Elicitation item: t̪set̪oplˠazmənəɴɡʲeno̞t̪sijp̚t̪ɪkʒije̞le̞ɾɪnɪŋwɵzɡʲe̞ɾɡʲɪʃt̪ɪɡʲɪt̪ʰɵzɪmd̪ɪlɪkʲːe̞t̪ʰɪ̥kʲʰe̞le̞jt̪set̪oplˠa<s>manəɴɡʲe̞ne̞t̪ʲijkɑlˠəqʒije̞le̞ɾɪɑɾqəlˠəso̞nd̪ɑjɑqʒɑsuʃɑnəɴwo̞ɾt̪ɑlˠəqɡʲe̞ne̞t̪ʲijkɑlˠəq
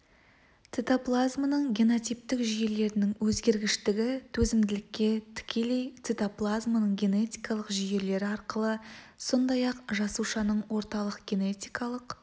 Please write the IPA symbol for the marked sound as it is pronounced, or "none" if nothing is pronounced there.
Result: z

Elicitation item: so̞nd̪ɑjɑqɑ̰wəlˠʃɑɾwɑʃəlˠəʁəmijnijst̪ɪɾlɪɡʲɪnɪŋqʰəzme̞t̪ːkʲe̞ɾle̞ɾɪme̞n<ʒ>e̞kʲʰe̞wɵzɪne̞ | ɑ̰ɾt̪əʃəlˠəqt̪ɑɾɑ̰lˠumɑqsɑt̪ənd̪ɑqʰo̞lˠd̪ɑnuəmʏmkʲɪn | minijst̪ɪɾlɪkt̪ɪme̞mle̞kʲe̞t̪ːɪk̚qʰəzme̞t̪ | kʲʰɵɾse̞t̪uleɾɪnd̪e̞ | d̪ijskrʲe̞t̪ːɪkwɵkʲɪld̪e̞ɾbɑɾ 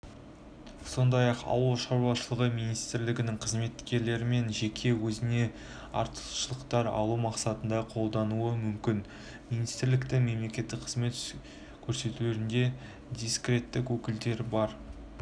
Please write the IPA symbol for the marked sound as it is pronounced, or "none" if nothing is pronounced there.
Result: ʒ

